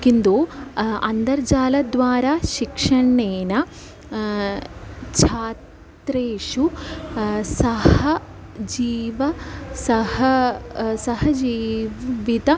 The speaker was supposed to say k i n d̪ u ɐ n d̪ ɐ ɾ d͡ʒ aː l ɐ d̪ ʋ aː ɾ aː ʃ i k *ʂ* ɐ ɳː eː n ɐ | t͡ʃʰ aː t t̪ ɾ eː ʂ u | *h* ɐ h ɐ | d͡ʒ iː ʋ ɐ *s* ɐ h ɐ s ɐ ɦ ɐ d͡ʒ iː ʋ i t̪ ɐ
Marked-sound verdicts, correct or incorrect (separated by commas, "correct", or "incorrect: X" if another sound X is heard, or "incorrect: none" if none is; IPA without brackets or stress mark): correct, incorrect: s, correct